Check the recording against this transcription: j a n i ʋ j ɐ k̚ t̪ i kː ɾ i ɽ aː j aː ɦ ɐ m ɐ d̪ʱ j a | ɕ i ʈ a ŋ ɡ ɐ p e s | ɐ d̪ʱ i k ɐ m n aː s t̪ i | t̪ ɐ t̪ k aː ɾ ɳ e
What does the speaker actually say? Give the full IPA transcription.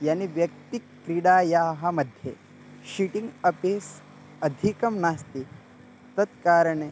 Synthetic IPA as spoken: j a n i ʋ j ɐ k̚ t̪ i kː ɾ i ɽ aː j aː ɦ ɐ m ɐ d̪ʱ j e | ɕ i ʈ i ŋ ɡ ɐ p e s | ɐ d̪ʱ i k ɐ m n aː s t̪ i | t̪ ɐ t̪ k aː ɾ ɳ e